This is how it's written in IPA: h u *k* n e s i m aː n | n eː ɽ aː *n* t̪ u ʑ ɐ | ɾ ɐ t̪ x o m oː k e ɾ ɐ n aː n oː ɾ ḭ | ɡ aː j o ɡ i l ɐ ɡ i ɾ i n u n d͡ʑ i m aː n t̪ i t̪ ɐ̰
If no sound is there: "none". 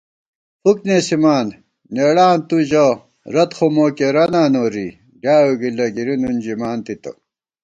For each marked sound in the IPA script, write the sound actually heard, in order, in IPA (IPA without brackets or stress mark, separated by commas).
k, n